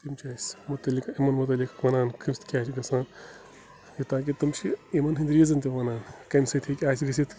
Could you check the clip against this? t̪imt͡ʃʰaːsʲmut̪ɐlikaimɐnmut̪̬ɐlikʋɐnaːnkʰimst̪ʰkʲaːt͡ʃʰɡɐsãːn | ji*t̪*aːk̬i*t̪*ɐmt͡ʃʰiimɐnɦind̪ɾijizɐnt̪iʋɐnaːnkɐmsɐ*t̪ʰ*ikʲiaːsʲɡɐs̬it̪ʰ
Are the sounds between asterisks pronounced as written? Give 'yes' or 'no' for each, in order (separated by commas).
yes, yes, yes